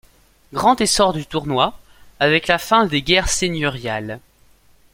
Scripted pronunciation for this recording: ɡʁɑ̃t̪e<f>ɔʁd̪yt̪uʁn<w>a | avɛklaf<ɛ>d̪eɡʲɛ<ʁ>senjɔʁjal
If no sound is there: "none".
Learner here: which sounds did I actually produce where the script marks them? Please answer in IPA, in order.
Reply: s, w, ɛ̃, ʁ

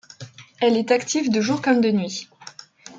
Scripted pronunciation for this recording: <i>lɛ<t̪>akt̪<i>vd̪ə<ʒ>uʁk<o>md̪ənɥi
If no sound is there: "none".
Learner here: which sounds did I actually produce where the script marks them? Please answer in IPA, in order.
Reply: ɛ, t̪, i, ʒ, ɔ

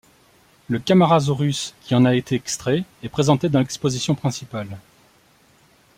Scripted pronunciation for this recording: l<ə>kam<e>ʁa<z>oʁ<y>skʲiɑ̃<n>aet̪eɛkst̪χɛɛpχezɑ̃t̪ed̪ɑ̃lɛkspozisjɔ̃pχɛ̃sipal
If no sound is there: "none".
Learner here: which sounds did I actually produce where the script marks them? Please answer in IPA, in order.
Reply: ə, a, z, y, n

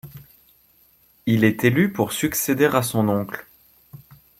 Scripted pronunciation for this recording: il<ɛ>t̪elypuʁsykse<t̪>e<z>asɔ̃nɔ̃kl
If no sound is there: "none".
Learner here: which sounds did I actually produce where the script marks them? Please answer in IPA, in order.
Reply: ɛ, d̪, ʁ

